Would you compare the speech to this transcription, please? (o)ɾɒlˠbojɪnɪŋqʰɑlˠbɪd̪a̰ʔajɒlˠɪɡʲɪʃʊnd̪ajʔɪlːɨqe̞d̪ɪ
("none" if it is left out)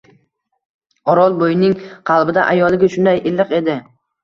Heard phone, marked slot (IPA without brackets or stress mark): ɒ